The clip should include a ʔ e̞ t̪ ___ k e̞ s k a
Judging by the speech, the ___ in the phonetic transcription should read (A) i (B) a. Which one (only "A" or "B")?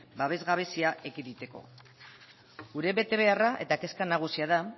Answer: B